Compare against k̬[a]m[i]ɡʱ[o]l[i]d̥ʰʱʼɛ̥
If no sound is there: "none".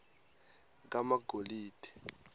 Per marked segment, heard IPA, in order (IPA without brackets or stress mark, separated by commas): a, a, o, iː